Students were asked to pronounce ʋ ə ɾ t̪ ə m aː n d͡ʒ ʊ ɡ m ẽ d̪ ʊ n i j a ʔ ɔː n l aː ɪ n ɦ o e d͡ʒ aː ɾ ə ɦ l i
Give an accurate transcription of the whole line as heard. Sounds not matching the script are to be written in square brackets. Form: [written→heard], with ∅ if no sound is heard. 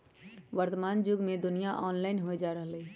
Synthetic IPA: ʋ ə ɾ t̪ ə m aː n d͡ʒ ʊ ɡ m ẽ d̪ ʊ n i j a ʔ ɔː n l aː ɪ n ɦ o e d͡ʒ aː ɾ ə ɦ l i